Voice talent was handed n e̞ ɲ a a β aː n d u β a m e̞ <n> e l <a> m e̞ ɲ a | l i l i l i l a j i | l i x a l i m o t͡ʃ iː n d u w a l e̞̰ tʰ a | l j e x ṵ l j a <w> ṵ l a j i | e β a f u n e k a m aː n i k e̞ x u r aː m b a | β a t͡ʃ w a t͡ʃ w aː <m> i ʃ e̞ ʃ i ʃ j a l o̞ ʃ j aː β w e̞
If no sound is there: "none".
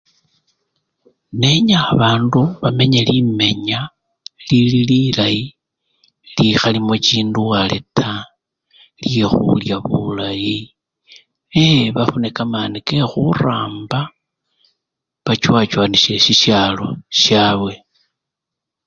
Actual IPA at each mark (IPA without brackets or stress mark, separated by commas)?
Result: ɲ, i, β, n